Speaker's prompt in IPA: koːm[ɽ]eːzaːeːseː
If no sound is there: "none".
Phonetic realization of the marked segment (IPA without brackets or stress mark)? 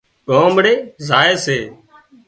ɽ